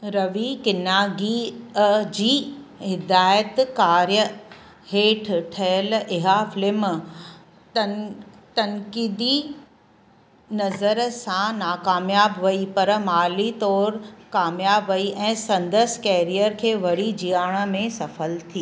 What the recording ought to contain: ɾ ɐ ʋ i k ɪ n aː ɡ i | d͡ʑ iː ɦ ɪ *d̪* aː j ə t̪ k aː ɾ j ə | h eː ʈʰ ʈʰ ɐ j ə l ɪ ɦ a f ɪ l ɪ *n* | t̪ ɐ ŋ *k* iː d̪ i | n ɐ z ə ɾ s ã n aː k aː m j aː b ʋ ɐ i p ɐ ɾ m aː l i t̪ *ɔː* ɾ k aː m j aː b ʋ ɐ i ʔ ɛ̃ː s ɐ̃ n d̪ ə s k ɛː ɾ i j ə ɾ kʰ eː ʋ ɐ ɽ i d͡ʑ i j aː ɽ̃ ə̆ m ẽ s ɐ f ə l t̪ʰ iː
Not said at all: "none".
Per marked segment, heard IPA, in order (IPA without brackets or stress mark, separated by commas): d̪, m, k, ɔː